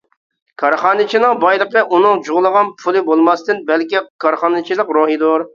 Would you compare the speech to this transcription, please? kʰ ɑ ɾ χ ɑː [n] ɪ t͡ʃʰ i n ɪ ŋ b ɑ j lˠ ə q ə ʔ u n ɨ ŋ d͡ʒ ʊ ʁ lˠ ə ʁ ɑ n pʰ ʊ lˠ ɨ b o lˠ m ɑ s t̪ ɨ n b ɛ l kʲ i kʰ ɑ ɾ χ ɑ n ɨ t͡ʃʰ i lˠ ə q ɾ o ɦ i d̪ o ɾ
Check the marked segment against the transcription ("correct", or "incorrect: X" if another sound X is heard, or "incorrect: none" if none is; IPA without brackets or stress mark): correct